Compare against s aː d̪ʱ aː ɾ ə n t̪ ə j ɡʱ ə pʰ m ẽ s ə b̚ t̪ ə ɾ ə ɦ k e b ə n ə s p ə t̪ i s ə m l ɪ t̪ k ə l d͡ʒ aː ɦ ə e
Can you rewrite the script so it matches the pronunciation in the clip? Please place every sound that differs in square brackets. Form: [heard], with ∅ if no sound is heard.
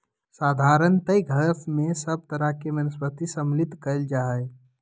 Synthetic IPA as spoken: s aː d̪ʱ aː ɾ ə n t̪ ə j ɡʱ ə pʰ m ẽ s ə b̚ t̪ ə ɾ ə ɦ k e [m] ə n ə s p ə t̪ i s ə m l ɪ t̪ k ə l d͡ʒ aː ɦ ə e